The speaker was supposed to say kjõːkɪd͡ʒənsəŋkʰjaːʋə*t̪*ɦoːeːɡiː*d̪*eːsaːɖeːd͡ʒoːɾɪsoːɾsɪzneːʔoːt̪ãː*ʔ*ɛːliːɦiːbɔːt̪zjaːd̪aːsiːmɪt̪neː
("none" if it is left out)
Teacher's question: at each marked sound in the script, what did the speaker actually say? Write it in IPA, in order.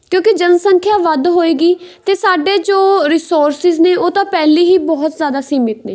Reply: d̪, t̪, p

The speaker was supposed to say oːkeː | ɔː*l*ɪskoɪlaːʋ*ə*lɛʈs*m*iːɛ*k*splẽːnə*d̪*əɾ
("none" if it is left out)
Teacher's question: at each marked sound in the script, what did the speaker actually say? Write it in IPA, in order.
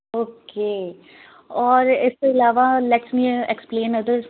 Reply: ɾ, a, m, k, d̪

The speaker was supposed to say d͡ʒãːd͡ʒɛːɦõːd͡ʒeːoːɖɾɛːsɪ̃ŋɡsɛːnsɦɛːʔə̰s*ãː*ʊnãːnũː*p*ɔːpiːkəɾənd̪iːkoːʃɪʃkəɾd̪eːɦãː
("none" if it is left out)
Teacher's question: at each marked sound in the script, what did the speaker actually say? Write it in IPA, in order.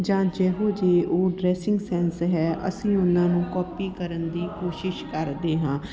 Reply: ĩː, k

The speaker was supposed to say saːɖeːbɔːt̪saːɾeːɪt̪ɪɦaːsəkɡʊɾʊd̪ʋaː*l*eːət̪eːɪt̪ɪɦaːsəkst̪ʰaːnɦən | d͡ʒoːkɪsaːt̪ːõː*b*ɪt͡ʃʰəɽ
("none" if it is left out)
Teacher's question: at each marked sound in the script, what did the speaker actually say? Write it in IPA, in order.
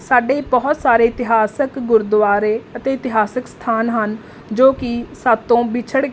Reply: ɾ, b

